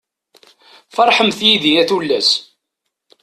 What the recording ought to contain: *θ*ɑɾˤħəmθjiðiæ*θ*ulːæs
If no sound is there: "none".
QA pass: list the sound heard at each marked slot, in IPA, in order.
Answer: f, θ

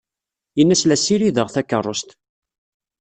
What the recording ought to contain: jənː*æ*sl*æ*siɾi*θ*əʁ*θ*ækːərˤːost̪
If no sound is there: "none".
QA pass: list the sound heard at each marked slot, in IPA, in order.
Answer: æ, æ, ð, θ

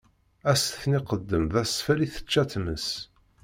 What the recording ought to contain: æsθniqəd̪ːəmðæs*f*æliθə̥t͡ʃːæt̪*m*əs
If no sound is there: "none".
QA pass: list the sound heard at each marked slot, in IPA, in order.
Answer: f, m

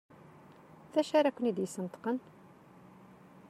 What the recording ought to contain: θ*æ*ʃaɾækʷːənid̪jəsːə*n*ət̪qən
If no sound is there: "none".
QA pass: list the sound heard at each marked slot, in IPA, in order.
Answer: æ, n

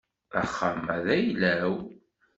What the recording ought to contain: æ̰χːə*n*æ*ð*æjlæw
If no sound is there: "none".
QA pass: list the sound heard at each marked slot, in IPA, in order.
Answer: m, ð

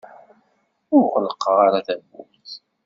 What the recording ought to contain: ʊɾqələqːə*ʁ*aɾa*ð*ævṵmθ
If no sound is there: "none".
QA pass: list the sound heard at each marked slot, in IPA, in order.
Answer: ʁ, θ

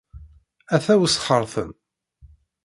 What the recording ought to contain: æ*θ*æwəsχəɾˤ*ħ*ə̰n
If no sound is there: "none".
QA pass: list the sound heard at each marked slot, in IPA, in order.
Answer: θ, θ

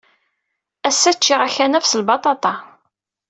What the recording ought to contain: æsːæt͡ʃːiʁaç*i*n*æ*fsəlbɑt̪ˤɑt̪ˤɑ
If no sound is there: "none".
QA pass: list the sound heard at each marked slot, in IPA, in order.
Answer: æ, æ

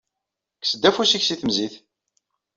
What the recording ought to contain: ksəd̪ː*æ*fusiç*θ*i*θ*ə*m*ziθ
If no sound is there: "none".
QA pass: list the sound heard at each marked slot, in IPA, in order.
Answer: æ, s, θ, m

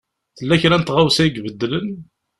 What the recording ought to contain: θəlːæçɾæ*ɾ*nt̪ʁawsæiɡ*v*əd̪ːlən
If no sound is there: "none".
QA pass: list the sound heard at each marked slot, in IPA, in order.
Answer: none, v

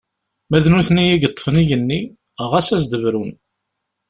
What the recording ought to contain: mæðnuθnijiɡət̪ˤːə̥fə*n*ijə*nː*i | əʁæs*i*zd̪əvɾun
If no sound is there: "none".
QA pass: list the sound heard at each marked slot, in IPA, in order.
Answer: n, nː, æ

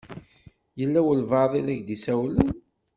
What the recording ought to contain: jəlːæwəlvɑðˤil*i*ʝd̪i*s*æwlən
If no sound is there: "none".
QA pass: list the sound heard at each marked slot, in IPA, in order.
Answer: æ, s

